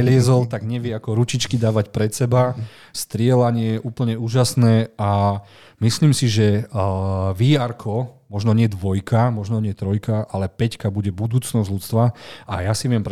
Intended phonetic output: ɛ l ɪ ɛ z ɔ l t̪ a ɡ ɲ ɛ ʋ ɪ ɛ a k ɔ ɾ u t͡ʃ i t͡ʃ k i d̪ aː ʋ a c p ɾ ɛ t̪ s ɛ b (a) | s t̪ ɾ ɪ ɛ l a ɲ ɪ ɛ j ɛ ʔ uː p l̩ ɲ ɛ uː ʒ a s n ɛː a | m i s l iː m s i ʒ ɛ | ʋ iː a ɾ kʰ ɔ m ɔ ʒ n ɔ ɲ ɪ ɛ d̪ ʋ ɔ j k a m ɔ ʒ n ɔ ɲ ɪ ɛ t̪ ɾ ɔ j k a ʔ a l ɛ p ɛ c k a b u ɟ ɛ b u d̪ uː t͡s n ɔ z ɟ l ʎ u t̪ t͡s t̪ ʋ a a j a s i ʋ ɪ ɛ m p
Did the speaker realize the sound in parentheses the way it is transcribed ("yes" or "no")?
yes